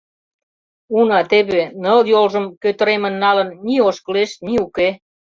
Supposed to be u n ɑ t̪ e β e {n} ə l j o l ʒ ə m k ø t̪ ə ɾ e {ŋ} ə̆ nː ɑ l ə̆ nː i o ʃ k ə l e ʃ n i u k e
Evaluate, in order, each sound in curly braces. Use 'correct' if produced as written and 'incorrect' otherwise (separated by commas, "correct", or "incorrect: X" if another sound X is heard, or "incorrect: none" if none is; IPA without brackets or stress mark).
correct, incorrect: m